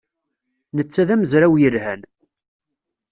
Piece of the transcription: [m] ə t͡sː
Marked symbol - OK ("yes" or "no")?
no